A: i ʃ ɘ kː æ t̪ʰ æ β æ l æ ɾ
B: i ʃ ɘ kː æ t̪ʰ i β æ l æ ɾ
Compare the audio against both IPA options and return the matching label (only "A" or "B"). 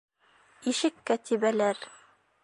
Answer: B